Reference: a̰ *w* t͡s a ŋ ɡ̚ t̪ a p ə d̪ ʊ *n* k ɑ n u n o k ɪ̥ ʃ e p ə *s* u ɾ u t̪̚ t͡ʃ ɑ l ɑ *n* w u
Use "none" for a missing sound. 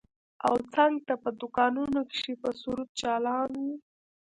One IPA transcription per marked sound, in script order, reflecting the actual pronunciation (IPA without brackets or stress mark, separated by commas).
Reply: w, none, s, n